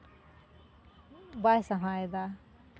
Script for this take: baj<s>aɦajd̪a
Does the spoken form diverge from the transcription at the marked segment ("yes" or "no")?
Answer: no